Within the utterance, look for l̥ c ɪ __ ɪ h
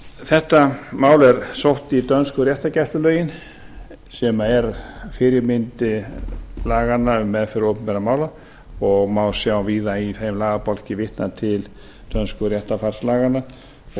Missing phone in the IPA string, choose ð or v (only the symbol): v